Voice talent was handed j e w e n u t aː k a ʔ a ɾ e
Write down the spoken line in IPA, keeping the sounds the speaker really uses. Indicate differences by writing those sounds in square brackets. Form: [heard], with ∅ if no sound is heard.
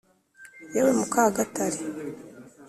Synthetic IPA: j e w e [m] u [k] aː [ɡ] a [t] a ɾ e